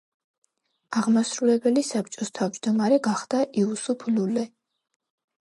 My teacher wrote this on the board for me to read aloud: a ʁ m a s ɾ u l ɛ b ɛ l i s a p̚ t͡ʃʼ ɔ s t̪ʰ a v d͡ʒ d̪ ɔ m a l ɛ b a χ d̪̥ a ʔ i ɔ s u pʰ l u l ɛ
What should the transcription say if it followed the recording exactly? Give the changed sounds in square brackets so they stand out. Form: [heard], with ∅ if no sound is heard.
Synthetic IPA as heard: a ʁ m a s ɾ u l ɛ b ɛ l i s a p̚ t͡ʃʼ ɔ s t̪ʰ a v d͡ʒ d̪ ɔ m a [ɾ] ɛ [ɡ] a χ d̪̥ a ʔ i [u] s u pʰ l u l ɛ